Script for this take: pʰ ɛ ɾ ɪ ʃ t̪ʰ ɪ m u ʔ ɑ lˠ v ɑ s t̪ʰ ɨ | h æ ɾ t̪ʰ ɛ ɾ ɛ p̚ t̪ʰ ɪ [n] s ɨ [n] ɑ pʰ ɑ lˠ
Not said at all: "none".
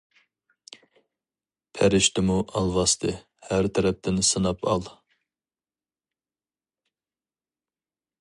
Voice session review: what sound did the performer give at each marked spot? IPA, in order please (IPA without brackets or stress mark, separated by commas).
n, n